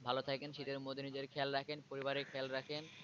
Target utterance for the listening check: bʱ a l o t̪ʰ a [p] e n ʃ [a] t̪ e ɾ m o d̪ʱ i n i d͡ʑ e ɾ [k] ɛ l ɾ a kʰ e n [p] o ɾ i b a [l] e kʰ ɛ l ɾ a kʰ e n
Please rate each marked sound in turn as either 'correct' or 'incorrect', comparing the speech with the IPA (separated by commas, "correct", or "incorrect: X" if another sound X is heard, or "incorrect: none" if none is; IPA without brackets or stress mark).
incorrect: k, incorrect: i, incorrect: kʰ, correct, incorrect: ɾ